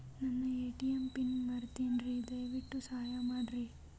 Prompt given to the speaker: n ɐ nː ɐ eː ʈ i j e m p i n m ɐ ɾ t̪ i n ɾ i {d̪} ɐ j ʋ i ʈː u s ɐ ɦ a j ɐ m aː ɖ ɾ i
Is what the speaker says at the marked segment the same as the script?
yes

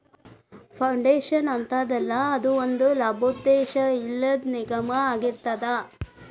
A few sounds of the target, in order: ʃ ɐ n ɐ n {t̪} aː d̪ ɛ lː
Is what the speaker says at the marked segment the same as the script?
yes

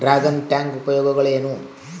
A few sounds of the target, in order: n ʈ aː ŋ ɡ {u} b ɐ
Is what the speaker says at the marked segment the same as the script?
yes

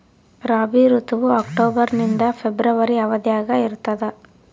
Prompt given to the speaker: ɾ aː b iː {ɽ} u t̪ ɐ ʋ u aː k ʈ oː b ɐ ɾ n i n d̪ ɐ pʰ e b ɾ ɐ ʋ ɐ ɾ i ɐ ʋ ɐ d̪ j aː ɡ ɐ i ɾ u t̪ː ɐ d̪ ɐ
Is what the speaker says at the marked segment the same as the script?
no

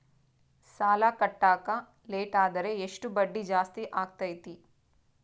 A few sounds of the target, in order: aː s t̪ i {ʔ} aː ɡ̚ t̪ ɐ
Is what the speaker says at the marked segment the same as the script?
yes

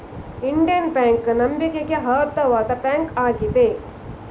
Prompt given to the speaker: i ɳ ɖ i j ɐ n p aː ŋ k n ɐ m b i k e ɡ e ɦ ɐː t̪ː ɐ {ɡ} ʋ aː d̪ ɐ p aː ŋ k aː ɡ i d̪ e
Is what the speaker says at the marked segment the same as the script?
no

